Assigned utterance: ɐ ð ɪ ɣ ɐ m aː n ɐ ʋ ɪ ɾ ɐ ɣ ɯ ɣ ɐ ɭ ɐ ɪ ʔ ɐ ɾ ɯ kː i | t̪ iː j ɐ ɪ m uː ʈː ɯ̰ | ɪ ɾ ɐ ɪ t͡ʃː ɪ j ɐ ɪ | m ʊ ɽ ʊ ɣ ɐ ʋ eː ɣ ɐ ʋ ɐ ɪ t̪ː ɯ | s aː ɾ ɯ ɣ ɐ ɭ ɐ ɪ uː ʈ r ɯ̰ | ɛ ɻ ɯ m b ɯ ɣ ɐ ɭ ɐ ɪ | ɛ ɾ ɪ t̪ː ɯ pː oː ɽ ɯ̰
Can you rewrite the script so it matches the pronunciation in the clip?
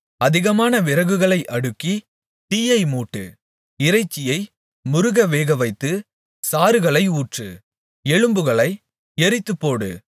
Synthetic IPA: ɐ ð ɪ ɣ ɐ m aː n ɐ ʋ ɪ ɾ ɐ ɣ ɯ ɣ ɐ ɭ ɐ ɪ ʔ ɐ ɽ ɯ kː i | t̪ iː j ɐ ɪ m uː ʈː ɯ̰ | ɪ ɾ ɐ ɪ t͡ʃː ɪ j ɐ ɪ | m ʊ ɾ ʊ ɣ ɐ ʋ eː ɣ ɐ ʋ ɐ ɪ t̪ː ɯ | s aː ɾ ɯ ɣ ɐ ɭ ɐ ɪ uː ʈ r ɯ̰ | ɛ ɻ ɯ m b ɯ ɣ ɐ ɭ ɐ ɪ | ɛ ɾ ɪ t̪ː ɯ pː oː ɽ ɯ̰